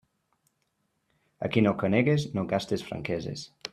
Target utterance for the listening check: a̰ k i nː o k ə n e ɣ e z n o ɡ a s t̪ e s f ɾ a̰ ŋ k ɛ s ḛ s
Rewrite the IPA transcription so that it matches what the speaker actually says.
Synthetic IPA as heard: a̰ k i n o k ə n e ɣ e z n o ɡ a s t̪ e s f ɾ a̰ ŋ k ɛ z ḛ s